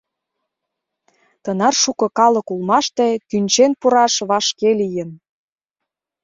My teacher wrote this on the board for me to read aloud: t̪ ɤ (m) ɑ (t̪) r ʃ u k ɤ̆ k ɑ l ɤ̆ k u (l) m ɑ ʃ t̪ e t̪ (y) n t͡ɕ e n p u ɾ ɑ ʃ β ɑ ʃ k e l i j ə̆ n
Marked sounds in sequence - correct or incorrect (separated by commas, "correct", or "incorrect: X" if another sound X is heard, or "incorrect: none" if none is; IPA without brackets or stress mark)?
incorrect: n, incorrect: none, correct, correct